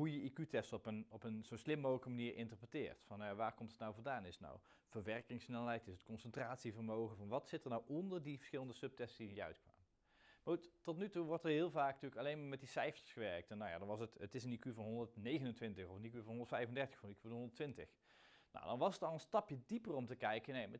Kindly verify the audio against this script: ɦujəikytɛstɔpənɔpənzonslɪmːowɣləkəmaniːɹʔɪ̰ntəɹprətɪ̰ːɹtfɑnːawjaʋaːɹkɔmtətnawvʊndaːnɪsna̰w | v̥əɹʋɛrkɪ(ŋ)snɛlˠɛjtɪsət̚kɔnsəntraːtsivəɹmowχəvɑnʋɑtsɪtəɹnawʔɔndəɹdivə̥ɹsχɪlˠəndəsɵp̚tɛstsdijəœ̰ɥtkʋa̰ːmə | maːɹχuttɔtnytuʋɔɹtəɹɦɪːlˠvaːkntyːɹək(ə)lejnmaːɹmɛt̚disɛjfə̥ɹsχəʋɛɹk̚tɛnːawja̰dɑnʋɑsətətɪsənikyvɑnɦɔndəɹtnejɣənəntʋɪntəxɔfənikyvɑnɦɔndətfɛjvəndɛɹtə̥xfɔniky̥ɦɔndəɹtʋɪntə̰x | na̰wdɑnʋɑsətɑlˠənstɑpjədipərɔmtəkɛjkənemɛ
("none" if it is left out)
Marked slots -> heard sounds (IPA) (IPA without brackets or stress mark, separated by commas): ŋ, ɑ